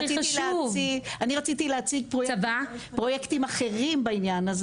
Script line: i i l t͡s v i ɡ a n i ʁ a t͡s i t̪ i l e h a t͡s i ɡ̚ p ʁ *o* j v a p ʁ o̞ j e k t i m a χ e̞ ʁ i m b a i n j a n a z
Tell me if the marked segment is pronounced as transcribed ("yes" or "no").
yes